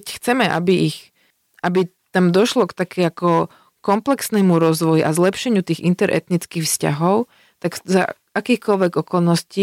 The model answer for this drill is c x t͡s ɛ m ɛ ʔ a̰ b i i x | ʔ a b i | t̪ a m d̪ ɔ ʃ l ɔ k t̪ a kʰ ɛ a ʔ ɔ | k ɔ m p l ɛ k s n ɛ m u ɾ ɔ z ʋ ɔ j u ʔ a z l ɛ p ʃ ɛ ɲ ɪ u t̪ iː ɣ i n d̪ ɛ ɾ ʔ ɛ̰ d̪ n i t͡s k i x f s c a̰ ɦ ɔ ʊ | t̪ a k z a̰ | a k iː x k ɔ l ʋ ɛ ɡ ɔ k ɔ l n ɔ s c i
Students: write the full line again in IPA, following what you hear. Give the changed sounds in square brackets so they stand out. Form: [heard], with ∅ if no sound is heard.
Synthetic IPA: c x t͡s ɛ m ɛ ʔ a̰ b i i x | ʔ a b i | t̪ a m d̪ ɔ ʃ l ɔ k t̪ a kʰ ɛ a [k] ɔ | k ɔ m p l ɛ k s n ɛ m u ɾ ɔ z ʋ ɔ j u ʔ a z l ɛ p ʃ ɛ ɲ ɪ u t̪ iː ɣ i n [t̪] ɛ ɾ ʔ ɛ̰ [t̪] n i t͡s k i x f s c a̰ ɦ ɔ ʊ | t̪ a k z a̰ | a k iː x k ɔ l ʋ ɛ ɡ ɔ k ɔ l n ɔ s c i